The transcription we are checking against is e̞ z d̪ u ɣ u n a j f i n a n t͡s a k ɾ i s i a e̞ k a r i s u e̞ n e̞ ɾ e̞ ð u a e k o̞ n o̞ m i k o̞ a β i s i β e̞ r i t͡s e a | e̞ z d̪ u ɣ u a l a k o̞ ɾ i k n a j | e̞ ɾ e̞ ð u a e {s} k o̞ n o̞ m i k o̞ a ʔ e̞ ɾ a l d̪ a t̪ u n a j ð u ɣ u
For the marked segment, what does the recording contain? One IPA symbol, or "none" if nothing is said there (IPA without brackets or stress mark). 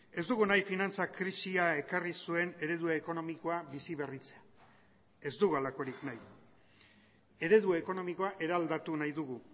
none